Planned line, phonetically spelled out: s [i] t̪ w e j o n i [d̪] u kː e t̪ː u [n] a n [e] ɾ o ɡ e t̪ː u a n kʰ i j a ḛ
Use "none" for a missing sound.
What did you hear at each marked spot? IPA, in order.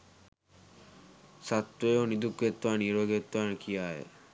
a, d̪, none, i

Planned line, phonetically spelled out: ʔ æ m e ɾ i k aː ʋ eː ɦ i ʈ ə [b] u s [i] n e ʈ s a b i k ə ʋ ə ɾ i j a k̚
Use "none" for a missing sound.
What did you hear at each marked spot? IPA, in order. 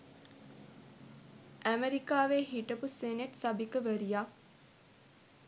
p, e

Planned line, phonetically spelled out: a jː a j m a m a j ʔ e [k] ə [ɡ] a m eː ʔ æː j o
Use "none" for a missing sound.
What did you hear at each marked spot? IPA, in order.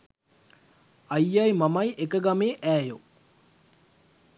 k, ɡ

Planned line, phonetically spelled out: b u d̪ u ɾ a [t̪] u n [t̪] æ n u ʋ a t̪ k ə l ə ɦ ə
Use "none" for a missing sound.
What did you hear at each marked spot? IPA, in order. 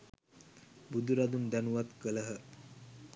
d̪, d̪

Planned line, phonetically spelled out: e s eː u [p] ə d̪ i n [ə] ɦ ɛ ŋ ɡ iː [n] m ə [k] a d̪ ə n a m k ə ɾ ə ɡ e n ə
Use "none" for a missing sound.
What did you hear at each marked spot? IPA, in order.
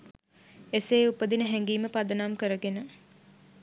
p, ə, none, p

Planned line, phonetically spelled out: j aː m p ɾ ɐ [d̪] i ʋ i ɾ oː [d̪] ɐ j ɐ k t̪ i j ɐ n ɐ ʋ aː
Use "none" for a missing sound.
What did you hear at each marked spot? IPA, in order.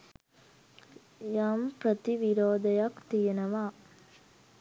t̪, d̪

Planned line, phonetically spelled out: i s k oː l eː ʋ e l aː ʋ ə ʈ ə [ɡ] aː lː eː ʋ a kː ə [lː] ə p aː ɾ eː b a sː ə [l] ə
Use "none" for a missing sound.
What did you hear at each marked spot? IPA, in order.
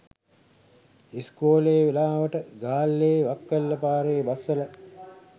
ɡ, lː, l

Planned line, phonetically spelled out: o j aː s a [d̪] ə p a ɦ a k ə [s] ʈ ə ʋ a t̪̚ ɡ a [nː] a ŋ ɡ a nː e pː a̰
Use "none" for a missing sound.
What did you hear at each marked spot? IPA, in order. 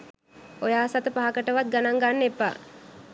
t̪, none, n

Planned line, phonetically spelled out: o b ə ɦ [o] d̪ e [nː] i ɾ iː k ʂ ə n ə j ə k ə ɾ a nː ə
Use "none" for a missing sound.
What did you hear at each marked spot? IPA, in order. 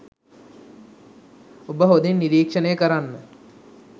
o, nː

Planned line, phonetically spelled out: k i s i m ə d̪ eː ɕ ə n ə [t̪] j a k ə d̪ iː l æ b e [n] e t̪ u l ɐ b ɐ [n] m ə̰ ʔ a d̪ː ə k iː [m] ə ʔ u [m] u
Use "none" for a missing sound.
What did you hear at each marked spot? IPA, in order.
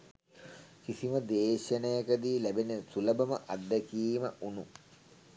none, n, none, m, n

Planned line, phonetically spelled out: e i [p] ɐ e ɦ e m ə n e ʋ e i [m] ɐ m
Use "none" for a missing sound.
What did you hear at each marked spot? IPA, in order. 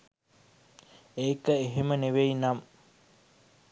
k, n

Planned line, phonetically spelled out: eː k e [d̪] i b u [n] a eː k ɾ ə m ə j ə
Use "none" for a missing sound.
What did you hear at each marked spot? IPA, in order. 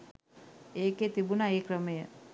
t̪, n

